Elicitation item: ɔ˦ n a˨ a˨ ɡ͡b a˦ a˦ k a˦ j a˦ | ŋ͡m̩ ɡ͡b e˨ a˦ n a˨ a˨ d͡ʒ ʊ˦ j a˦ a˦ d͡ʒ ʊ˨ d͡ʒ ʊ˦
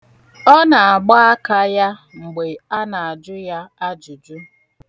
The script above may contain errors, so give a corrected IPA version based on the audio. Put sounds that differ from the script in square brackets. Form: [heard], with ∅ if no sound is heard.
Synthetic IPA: ɔ˦ n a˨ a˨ ɡ͡b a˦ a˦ k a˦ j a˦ | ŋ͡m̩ ɡ͡b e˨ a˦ n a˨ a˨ d͡ʒ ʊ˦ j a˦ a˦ d͡ʒ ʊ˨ d͡ʒ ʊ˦